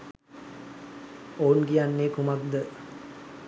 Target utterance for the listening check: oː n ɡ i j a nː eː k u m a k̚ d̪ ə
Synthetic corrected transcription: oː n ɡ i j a nː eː k u m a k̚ d̪ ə